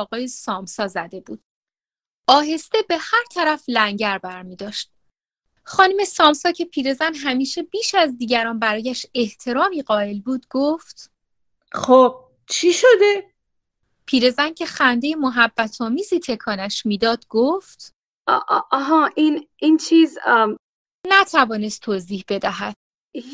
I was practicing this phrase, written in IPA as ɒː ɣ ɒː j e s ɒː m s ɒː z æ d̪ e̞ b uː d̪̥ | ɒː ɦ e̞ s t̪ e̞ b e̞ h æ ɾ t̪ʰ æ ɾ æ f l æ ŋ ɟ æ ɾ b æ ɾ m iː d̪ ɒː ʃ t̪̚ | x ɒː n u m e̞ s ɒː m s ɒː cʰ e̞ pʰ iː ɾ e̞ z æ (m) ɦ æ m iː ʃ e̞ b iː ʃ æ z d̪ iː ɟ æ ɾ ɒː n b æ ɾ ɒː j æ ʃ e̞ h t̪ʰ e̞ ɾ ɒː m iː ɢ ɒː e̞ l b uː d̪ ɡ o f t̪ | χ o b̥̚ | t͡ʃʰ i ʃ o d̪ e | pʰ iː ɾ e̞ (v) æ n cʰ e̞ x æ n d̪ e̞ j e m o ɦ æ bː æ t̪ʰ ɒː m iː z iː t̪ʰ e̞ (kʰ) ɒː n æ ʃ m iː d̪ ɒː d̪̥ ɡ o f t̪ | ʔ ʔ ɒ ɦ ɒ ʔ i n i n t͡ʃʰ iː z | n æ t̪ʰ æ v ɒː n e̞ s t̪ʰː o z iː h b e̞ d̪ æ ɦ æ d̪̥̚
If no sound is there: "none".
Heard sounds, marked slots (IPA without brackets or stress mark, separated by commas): n, z, kʰ